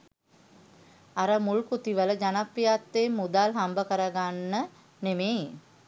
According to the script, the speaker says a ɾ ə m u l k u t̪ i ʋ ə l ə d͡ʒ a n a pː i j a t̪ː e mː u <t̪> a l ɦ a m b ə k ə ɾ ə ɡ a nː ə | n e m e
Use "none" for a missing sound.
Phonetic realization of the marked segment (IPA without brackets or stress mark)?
d̪